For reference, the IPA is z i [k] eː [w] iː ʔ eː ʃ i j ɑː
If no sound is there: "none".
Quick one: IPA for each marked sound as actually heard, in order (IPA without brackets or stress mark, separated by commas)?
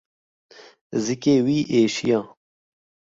k, w